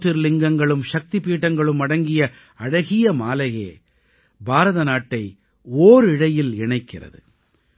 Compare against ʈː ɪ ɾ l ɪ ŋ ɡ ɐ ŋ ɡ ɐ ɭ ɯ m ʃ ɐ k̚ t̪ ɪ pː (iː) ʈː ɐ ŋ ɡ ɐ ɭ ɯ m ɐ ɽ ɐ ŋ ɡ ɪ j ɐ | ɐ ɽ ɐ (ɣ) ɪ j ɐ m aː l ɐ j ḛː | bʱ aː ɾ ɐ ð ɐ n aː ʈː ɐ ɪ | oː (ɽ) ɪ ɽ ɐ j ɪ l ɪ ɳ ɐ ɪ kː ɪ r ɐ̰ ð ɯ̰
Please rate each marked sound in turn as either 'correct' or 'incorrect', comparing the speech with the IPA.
correct, correct, incorrect: ɾ

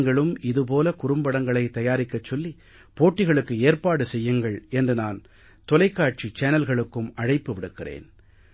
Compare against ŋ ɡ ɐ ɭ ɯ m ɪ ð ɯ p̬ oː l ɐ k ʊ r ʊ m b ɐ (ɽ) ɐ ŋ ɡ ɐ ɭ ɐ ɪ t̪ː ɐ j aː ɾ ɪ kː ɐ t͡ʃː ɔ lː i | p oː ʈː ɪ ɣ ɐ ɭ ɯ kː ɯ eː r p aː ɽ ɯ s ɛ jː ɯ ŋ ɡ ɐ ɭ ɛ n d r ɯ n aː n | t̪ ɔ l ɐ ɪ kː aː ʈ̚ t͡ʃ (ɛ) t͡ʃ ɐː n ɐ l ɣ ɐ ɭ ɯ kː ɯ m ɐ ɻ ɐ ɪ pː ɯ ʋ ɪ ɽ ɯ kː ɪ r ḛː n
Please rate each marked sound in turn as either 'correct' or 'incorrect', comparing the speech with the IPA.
correct, incorrect: i

